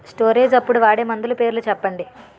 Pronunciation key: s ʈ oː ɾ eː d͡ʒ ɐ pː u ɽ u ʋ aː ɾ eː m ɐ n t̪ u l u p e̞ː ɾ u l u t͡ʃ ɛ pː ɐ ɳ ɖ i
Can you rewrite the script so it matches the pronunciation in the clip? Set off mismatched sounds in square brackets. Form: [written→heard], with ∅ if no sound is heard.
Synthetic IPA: s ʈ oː ɾ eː d͡ʒ ɐ pː u ɽ u ʋ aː [ɾ→ɽ] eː m ɐ n [t̪→d̪] u l u p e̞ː ɾ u l u t͡ʃ ɛ pː ɐ ɳ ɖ i